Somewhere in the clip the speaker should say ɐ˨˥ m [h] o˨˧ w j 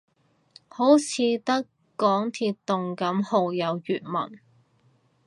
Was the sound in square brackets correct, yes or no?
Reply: yes